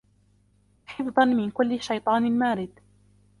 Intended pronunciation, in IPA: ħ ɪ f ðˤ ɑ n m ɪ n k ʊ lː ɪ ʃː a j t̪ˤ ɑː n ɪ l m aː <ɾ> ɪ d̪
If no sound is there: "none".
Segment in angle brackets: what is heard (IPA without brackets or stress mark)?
ɾ